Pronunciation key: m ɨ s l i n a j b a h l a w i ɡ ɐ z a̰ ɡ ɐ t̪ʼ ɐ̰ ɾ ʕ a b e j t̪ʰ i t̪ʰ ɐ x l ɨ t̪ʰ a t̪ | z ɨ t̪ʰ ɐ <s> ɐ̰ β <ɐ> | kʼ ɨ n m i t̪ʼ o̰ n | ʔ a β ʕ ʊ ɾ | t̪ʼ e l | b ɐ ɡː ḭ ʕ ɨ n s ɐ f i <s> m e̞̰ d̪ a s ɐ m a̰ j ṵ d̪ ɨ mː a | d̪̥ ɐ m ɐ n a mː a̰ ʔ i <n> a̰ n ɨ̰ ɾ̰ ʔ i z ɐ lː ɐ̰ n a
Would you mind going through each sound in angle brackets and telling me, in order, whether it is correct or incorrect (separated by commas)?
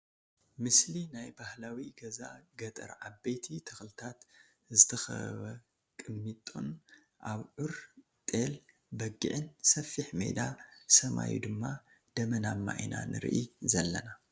incorrect, correct, incorrect, correct